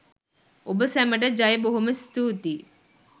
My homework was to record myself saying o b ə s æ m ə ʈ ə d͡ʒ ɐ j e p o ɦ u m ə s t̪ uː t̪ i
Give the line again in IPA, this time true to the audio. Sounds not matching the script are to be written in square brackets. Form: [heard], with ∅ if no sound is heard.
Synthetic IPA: o b ə s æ m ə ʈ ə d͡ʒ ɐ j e [b] o ɦ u m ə s t̪ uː t̪ i